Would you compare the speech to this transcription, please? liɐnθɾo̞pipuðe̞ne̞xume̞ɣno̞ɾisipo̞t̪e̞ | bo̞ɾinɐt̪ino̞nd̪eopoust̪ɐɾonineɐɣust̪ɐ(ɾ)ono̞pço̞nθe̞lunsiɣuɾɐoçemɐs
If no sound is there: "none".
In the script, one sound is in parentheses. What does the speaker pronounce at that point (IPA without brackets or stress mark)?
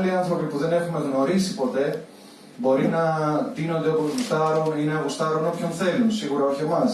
ɾ